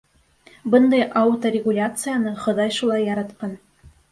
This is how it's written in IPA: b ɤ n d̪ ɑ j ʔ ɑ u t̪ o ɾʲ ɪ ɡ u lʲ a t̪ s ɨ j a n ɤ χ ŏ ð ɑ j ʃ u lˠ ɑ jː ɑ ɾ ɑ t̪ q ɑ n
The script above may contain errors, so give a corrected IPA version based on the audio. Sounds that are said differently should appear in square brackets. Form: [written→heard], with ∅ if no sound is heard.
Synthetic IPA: b ɤ n d̪ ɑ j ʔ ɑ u t̪ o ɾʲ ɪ ɡ u lʲ a t̪ s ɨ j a n ɤ χ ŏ ð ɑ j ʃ u lˠ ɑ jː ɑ ɾ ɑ t̪ q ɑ n